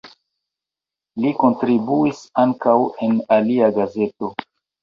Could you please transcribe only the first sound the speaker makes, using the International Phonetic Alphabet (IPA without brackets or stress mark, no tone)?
l